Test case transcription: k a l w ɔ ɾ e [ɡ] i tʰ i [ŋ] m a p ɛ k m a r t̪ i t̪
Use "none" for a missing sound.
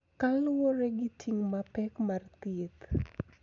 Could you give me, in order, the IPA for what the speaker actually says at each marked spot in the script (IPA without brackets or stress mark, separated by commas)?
ɡ, ŋ